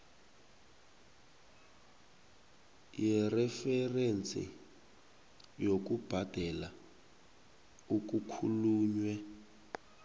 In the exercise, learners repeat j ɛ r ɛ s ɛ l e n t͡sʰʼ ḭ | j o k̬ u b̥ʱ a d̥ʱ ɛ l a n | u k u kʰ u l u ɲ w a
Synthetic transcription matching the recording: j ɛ r ɛ f ɛ r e n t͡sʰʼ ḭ | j o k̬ u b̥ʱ a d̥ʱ ɛ l a | u k u kʰ u l uː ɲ w ɛ